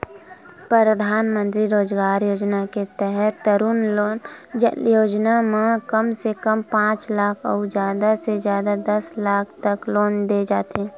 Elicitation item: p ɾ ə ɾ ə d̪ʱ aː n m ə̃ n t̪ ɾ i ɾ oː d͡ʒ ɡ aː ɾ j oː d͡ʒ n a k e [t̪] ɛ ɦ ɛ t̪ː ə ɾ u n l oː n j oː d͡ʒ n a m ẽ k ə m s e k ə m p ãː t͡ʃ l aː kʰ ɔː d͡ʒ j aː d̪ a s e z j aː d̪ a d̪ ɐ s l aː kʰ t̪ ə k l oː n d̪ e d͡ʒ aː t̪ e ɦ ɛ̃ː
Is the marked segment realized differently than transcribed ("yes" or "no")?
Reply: no